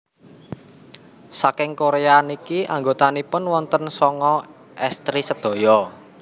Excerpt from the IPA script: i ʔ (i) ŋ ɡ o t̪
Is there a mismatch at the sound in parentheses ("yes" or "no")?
yes